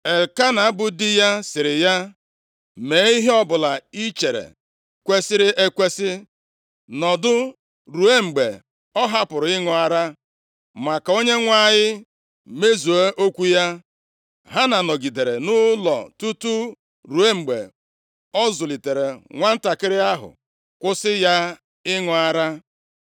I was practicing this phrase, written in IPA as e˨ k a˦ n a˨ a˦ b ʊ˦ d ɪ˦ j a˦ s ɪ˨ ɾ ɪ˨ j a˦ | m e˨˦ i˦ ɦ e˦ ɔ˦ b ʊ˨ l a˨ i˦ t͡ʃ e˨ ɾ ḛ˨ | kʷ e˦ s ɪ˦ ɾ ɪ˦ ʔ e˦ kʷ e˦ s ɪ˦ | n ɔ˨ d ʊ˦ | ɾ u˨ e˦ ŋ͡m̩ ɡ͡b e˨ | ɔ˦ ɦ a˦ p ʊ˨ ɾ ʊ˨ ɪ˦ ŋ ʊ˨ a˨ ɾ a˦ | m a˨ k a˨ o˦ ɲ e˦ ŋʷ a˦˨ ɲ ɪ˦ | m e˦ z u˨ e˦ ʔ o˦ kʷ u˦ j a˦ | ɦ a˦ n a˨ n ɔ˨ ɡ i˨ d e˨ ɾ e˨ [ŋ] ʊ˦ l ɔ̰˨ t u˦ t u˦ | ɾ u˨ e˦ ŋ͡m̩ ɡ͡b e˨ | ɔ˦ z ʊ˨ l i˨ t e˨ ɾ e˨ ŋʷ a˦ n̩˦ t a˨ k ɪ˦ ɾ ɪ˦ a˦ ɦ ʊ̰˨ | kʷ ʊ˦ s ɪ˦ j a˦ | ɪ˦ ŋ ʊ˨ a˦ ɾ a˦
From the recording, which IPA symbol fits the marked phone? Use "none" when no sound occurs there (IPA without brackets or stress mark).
n